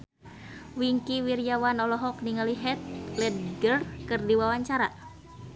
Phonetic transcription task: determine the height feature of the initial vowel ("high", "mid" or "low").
high